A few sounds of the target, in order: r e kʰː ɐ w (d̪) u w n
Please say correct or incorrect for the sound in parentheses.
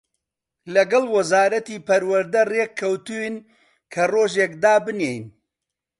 incorrect